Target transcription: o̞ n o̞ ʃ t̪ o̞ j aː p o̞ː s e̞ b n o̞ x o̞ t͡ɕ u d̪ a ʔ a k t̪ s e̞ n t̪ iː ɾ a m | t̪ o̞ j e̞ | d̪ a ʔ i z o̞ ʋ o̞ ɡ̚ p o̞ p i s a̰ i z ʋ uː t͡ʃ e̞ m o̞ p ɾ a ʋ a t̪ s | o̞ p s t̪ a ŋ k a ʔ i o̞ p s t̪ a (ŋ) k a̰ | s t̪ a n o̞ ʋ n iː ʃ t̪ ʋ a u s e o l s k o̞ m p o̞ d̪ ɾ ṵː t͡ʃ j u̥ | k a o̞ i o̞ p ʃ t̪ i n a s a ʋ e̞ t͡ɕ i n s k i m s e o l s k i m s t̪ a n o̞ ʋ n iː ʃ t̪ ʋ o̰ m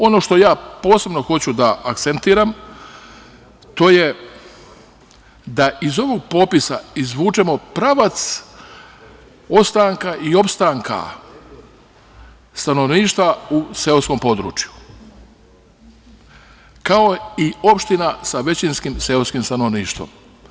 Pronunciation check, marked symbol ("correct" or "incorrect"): correct